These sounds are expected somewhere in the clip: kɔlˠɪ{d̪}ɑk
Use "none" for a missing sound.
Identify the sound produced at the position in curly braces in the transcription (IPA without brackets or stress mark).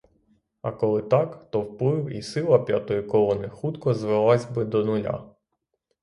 t̪